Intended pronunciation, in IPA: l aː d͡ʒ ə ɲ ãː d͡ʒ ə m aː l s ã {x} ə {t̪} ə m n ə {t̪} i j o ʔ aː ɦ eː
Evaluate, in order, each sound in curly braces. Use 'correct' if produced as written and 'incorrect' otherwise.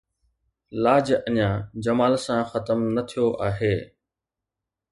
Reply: correct, correct, incorrect: t̪ʰ

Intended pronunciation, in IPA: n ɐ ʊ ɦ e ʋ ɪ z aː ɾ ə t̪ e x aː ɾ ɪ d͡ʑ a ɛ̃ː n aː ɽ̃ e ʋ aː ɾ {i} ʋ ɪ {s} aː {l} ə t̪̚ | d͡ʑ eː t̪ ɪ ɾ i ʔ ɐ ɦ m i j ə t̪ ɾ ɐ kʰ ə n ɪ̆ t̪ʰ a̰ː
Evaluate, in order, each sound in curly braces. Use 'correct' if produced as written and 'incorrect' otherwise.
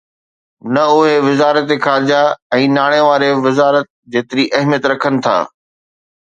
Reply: incorrect: e, incorrect: z, incorrect: ɾ

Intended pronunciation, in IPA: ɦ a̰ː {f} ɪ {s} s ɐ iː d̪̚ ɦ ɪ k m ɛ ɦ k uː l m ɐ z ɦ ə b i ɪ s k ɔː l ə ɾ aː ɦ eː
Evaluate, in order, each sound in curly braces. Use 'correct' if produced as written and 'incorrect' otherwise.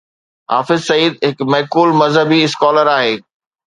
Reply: correct, incorrect: z

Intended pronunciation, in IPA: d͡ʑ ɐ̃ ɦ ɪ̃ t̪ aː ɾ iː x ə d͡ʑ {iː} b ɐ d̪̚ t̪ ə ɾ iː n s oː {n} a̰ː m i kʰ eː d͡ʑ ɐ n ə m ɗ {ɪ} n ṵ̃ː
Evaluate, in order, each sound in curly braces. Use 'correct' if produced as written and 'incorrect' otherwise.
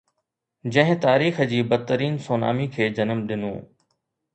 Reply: correct, correct, correct

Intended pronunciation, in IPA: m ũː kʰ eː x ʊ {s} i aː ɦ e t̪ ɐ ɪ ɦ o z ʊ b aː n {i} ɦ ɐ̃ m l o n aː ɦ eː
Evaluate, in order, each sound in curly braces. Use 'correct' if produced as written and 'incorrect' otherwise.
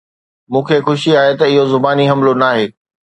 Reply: incorrect: ʃ, correct

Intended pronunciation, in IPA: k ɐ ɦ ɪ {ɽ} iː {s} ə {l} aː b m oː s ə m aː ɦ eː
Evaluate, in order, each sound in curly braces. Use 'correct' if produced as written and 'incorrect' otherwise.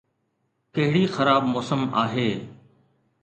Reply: correct, incorrect: x, incorrect: ɾ

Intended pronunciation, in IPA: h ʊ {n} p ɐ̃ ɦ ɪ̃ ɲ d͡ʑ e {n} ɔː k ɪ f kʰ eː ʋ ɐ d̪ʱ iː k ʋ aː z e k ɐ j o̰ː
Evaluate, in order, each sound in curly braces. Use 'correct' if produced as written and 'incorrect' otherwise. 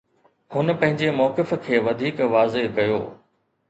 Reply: correct, incorrect: m

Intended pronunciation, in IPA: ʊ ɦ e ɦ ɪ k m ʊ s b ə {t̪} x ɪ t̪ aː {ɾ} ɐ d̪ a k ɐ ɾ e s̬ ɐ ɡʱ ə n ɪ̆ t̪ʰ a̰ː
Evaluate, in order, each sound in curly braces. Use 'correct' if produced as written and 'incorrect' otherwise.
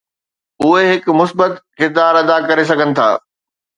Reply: correct, correct

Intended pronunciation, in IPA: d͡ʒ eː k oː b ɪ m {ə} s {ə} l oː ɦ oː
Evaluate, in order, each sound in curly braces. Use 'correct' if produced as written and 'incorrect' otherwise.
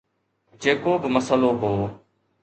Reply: correct, correct

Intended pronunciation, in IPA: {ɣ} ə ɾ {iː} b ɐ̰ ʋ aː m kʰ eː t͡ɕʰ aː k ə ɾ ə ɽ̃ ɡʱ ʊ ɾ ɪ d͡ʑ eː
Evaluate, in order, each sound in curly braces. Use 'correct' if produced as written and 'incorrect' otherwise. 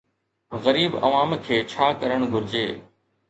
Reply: correct, correct

